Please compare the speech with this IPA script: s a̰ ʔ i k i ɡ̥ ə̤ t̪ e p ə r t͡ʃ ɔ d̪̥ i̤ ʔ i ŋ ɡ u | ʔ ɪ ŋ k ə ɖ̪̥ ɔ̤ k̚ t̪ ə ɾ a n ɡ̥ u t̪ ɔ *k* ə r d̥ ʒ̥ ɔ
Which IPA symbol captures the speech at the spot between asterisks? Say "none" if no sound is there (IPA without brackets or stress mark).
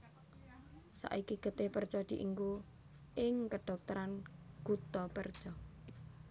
p